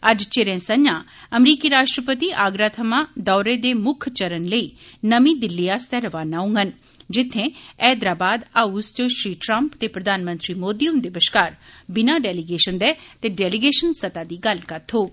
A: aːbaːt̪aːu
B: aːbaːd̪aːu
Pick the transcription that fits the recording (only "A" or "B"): B